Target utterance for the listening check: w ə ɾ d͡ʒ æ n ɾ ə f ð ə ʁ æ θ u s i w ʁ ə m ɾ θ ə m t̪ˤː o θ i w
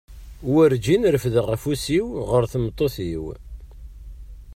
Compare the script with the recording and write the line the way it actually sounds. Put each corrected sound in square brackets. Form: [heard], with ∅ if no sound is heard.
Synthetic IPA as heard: w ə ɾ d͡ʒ [i] n ɾ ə f ð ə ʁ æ [f] u s i w ʁ ə [∅] ɾ θ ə m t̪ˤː o θ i w